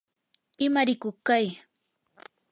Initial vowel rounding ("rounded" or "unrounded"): unrounded